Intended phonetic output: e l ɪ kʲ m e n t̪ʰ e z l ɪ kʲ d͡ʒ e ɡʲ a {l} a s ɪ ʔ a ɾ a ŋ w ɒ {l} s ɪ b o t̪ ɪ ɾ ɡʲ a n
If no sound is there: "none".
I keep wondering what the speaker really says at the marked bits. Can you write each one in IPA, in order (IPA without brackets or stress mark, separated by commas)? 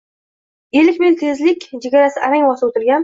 ɾ, none